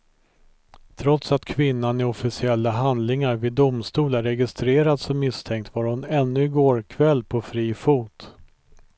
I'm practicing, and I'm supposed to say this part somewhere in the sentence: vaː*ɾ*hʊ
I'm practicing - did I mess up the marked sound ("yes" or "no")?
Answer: no